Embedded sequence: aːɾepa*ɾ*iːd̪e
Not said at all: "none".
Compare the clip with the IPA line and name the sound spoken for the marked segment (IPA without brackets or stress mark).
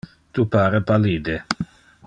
l